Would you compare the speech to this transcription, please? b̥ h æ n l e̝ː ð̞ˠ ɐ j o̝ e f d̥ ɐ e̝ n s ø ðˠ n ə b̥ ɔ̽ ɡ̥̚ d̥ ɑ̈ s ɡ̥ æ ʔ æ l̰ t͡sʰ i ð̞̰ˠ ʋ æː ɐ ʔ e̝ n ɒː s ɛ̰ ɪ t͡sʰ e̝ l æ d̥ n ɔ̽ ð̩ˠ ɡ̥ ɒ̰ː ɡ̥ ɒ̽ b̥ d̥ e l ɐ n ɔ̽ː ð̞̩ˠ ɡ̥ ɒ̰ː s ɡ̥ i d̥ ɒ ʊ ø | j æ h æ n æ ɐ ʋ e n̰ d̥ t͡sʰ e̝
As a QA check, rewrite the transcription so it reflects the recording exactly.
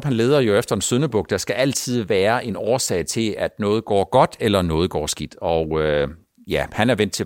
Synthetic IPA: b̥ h æ n l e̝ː ð̞ˠ ɐ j o̝ e f d̥ ɐ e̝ n s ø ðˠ n ə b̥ ɔ̽ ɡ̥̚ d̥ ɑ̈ s ɡ̥ æ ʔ æ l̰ t͡sʰ i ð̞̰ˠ ʋ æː ɐ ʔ e̝ n ɒː s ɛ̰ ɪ t͡sʰ e̝ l æ d̥ n ɔ̽ː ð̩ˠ ɡ̥ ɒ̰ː ɡ̥ ɒ̽ d̥ e l ɐ n ɔ̽ː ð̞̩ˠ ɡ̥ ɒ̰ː s ɡ̥ i d̥ ɒ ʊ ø | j æ h æ n æ ɐ ʋ e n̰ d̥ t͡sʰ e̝